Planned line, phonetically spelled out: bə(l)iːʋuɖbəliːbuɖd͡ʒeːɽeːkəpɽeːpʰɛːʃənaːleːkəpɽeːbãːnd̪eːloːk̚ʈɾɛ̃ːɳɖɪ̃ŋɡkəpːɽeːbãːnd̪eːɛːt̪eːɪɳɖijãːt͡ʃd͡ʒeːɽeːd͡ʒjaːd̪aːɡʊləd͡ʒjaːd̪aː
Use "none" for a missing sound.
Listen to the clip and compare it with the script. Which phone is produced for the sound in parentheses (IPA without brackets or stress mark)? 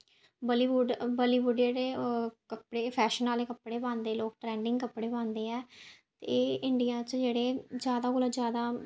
l